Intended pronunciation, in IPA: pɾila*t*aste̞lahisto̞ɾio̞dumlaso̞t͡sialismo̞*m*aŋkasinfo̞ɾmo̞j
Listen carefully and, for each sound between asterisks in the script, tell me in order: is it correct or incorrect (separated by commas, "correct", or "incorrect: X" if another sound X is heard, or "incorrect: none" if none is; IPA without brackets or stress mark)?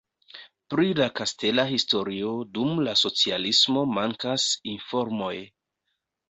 incorrect: k, correct